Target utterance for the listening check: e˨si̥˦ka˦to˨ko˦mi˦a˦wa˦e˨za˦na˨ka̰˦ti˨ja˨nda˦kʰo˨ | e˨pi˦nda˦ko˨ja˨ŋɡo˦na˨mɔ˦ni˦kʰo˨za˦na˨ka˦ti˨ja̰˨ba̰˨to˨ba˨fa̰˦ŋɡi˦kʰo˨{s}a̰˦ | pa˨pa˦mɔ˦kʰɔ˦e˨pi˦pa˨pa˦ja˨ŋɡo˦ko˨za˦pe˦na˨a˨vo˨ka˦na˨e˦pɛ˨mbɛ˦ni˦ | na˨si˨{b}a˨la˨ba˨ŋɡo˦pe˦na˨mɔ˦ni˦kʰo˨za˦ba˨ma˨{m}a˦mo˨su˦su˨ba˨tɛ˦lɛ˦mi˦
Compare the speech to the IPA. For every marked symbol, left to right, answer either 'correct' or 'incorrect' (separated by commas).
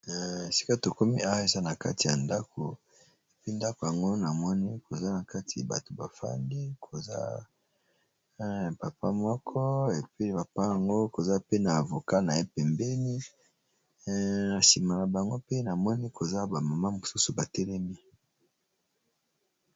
incorrect, incorrect, correct